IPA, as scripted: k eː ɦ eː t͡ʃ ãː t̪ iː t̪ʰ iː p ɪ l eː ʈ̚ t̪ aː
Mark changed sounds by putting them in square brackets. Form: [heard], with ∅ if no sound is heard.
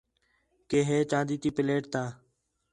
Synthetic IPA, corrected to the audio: k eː ɦ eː t͡ʃ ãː [d̪] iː [t̪] iː p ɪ l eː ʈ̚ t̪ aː